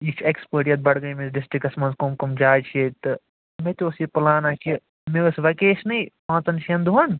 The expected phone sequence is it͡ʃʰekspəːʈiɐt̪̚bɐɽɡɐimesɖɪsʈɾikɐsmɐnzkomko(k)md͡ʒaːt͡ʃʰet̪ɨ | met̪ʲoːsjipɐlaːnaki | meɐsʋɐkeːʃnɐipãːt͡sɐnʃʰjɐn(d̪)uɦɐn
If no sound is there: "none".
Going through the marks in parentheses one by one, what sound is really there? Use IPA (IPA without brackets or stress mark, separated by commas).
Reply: none, d̪